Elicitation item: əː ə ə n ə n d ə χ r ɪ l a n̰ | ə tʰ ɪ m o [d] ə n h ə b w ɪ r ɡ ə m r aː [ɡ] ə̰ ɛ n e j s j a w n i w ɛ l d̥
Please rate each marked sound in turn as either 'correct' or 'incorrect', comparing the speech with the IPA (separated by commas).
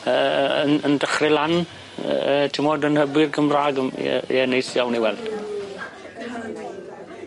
correct, correct